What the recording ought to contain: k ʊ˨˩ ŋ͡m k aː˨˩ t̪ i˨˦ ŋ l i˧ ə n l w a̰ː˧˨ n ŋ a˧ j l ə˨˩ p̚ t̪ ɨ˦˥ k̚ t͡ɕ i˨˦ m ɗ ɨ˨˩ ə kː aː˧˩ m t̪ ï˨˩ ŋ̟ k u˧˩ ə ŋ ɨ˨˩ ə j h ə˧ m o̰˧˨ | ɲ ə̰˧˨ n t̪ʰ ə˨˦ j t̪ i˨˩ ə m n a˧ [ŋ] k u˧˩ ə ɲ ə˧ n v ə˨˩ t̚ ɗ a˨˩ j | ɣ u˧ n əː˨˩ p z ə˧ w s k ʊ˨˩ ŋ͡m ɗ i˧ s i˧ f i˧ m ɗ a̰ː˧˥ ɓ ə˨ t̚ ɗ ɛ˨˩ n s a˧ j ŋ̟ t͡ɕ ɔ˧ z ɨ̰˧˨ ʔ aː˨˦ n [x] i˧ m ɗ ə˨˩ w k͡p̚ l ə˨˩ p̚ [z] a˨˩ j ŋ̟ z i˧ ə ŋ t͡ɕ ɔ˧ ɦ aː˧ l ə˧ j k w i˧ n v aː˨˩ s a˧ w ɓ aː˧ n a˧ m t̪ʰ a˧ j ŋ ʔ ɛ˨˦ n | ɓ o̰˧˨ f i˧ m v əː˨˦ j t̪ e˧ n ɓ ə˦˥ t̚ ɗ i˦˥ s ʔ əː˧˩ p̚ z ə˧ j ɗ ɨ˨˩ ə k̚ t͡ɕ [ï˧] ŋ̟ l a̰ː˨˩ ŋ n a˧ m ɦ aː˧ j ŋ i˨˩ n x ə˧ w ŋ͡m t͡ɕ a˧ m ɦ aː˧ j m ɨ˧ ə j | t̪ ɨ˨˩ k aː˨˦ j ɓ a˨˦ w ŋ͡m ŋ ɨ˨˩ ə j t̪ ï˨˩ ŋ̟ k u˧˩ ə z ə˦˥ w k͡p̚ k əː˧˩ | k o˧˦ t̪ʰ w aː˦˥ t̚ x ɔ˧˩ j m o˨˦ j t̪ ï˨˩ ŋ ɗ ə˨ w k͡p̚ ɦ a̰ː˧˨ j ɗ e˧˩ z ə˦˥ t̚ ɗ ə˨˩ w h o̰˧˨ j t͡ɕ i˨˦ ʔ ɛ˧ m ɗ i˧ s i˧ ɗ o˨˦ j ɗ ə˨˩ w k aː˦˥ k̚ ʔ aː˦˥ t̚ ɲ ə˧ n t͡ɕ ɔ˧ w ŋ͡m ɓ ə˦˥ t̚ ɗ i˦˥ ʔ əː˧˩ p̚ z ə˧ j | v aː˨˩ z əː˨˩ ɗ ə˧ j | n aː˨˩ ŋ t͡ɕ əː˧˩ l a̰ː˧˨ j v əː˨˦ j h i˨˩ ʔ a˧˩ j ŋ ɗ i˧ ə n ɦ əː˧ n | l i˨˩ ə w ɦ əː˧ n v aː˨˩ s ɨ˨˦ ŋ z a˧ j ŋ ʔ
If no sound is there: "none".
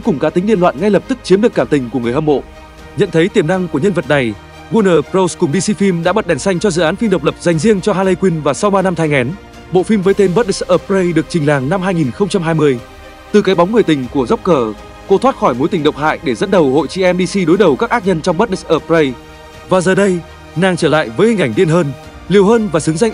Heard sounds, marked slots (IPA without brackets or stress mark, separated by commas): ŋ, f, z, ï˨˩